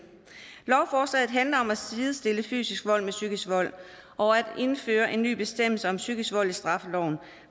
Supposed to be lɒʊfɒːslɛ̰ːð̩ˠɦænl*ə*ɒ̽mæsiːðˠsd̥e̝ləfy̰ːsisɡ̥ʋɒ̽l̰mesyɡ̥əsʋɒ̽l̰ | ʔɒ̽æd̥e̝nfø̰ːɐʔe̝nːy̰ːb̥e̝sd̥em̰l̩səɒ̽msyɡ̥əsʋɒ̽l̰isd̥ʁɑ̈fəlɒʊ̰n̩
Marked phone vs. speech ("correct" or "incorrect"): incorrect